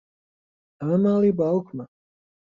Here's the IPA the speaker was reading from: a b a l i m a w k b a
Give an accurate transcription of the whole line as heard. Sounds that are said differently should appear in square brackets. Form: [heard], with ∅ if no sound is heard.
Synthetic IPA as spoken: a [m] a l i [b] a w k [m] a